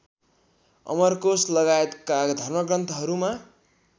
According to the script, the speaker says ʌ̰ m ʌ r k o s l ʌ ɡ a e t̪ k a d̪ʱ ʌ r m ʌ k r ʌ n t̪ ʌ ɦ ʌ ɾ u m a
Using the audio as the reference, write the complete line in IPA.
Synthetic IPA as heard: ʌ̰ m ʌ r k o s l ʌ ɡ a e t̪ k a d̪ʱ ʌ r m ʌ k r ʌ n t̪ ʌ ɦ ʌ ɾ u m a